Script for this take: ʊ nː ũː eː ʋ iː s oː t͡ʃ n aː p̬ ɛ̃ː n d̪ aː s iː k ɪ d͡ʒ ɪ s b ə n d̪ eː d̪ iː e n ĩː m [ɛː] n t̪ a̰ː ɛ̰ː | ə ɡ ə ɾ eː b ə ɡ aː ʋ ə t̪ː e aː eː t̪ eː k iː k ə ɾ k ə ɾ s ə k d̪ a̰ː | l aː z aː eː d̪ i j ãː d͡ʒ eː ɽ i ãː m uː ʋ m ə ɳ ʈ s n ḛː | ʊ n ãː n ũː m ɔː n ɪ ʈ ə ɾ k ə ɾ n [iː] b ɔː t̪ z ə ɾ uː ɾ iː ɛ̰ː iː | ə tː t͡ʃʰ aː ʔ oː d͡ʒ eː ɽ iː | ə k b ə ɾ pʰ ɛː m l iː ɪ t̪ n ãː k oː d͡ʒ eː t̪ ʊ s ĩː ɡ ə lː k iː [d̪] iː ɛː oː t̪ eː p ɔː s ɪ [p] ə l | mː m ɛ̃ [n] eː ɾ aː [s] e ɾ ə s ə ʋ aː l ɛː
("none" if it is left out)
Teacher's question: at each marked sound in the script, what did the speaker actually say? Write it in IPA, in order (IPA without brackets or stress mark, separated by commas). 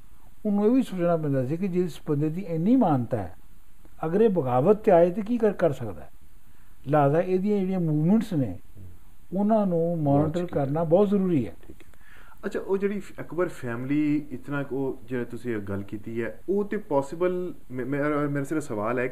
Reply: aː, aː, t̪, b, m, s